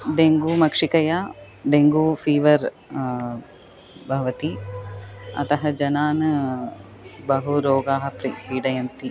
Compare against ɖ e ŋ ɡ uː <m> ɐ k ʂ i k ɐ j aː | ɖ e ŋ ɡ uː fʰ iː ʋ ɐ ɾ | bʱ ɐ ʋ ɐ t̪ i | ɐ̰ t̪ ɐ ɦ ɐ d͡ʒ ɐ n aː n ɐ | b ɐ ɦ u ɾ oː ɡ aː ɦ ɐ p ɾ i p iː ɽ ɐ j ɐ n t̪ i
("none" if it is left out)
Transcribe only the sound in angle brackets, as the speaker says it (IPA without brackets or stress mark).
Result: m